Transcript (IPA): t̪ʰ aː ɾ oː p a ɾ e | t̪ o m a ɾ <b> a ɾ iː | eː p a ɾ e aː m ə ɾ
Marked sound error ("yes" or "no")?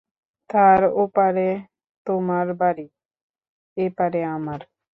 no